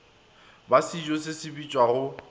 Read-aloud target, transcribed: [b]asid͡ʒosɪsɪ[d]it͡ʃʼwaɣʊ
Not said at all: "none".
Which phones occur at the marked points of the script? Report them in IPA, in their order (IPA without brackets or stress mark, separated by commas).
b, b